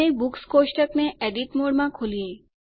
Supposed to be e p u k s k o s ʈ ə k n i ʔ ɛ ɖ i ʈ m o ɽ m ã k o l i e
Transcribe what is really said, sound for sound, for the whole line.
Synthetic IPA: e b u k s k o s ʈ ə k n e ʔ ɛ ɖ i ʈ m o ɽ m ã kʰ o l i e